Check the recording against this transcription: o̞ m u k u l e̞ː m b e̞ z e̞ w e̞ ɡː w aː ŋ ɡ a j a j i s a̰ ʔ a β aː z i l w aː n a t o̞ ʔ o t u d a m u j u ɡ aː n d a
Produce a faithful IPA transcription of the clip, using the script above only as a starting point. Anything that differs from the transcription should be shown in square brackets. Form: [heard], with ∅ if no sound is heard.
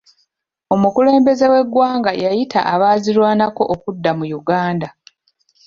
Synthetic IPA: o̞ m u k u l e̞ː m b e̞ z e̞ w e̞ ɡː w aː ŋ ɡ a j a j i [t] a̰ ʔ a β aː z i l w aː n a [k] o̞ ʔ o [k] u [dː] a m u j u ɡ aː n d a